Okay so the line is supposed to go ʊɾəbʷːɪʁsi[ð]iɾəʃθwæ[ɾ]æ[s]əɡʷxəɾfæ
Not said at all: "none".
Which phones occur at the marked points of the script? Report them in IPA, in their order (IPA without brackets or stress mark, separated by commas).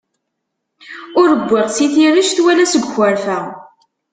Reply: θ, l, s